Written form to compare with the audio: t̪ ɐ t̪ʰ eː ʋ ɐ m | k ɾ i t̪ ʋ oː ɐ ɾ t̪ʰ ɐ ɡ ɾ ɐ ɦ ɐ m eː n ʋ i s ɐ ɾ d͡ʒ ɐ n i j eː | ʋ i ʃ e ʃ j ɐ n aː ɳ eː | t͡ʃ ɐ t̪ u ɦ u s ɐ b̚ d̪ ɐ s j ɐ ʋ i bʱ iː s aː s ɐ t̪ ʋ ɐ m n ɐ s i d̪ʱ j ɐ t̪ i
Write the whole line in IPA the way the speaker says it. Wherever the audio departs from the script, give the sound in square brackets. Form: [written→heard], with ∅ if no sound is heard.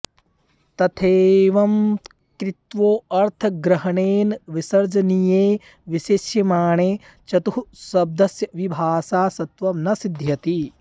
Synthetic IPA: t̪ ɐ t̪ʰ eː ʋ ɐ m | k ɾ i t̪ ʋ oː ɐ ɾ t̪ʰ ɐ ɡ ɾ ɐ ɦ ɐ [m→ɳ] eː n ʋ i s ɐ ɾ d͡ʒ ɐ n i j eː | ʋ i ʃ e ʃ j ɐ [n→m] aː ɳ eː | t͡ʃ ɐ t̪ u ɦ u s ɐ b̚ d̪ ɐ s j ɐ ʋ i bʱ [iː→aː] s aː s ɐ t̪ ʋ ɐ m n ɐ s i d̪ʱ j ɐ t̪ i